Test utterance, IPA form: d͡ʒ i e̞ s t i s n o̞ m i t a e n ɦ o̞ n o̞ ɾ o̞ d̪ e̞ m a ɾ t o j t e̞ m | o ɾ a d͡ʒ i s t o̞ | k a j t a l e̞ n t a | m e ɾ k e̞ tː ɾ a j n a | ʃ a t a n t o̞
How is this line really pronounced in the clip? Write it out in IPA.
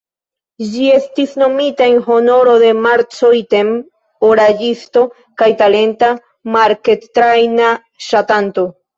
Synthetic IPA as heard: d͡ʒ i e̞ s t i s n o̞ m i t a e n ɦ o̞ n o̞ ɾ o̞ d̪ e̞ m a ɾ t͡s o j t e̞ m | o ɾ a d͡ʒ i s t o̞ | k a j t a l e̞ n t a | m a ɾ k e̞ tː ɾ a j n a | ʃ a t a n t o̞

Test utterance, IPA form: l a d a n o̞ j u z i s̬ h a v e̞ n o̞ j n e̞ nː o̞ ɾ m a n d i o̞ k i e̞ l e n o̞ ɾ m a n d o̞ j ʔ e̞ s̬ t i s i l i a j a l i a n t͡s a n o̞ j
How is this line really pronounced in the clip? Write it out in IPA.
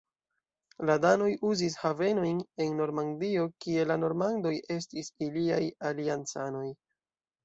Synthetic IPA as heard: l a d a n o̞ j u z i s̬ h a v e̞ n o̞ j n e̞ nː o̞ ɾ m a n d i o̞ k i e̞ l a n o̞ ɾ m a n d o̞ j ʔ e̞ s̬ t i s i l i a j a l i a n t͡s a n o̞ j

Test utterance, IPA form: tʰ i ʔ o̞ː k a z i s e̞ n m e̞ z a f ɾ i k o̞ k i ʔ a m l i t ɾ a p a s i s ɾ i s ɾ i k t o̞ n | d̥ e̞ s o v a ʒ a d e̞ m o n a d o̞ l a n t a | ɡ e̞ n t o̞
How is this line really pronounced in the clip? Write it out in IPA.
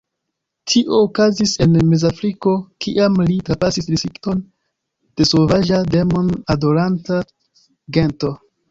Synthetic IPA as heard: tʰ i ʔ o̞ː k a z i s e̞ n m e̞ z a f ɾ i k o̞ k i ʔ a m l i t ɾ a p a s i s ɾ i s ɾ i k t o̞ n | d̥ e̞ s o v a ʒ a d e̞ m o n a d o̞ l a n t a | ɡ e̞ n t o̞

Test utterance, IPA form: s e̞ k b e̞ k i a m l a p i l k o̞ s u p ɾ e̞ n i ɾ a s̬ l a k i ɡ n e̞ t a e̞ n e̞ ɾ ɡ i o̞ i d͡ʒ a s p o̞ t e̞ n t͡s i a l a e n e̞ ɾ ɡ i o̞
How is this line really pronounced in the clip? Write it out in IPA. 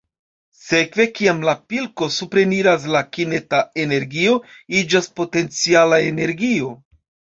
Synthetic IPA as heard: s e̞ k v e̞ k i a m l a p i l k o̞ s u p ɾ e̞ n i ɾ a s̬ l a k i n e̞ t a e̞ n e̞ ɾ ɡ i o̞ i d͡ʒ a s p o̞ t e̞ n t͡s i a l a e n e̞ ɾ ɡ i o̞

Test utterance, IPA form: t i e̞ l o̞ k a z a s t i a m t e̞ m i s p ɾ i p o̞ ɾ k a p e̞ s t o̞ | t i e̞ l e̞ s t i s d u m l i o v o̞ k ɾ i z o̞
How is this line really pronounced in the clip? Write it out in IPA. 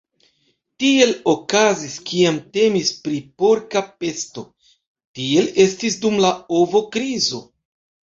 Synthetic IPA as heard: t i e̞ l o̞ k a z i s k i a m t e̞ m i s p ɾ i p o̞ ɾ k a p e̞ s t o̞ | t i e̞ l e̞ s t i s d u m l a o v o̞ k ɾ i z o̞

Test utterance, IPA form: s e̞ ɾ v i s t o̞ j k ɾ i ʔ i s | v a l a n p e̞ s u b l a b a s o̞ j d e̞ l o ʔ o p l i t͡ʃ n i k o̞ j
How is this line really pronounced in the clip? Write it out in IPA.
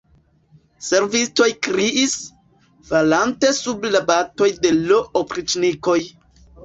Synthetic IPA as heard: s e̞ ɾ v i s t o̞ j k ɾ i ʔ i s | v a l a n t e̞ s u b l a b a t o̞ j d e̞ l o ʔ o p ɾ i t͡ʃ n i k o̞ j

